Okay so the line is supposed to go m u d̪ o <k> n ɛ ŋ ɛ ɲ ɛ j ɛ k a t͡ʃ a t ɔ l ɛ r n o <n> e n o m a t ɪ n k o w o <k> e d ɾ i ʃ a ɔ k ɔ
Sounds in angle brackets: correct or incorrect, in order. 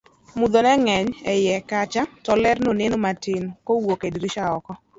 incorrect: none, correct, correct

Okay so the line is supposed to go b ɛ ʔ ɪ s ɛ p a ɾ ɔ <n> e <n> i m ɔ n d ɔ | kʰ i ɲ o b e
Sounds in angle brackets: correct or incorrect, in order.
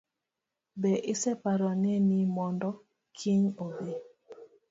correct, correct

